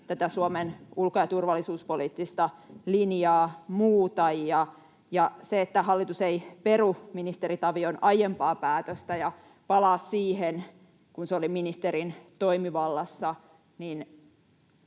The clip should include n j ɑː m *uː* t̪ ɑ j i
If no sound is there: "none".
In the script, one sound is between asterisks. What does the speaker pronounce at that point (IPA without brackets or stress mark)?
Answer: uː